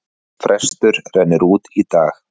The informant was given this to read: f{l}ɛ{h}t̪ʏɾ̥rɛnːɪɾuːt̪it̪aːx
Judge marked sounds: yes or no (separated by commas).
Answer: no, no